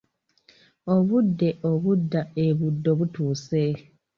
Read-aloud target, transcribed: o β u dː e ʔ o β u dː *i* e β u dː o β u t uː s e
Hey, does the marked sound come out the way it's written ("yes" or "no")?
no